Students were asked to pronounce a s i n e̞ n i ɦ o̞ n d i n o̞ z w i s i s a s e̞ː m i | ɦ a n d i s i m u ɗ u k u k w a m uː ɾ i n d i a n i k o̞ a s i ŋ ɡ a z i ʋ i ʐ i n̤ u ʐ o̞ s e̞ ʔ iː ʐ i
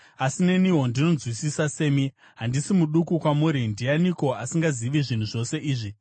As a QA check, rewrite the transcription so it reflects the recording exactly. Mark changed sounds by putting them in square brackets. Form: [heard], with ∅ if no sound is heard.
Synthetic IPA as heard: a s i n e̞ n i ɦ o̞ n d i n o̞ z w i s i s a s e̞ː m i | ɦ a n d i s i m u ɗ u k u k w a m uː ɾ i n d i a n i k o̞ a s i ŋ ɡ a z i ʋ i ʐ i n̤ u ʐ o̞ s e̞ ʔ iː ʐ i